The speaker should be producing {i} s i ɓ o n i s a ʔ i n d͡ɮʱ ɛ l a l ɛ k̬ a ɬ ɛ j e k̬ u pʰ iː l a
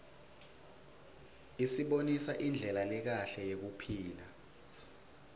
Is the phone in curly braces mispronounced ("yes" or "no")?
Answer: no